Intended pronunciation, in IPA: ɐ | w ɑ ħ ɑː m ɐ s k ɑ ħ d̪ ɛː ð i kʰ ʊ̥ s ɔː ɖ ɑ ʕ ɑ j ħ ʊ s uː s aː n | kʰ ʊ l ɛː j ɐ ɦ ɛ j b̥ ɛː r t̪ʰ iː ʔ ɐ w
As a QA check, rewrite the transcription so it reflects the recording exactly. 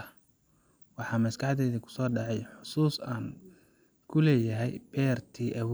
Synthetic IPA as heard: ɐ | w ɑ ħ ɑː m ɐ s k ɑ ħ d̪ ɛː ð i kʰ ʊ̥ s ɔː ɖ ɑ ʕ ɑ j ħ ʊ s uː s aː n | kʰ ʊ l ɛː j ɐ ɦ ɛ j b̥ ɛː r t̪ʰ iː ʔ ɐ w